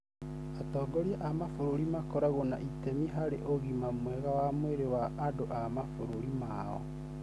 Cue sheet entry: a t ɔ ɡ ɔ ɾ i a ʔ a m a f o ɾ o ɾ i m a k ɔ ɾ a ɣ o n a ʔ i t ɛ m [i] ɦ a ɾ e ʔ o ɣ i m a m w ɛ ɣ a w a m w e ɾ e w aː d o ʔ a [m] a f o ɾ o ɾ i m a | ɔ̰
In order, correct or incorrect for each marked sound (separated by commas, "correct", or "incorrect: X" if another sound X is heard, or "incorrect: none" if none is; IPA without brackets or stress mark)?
correct, correct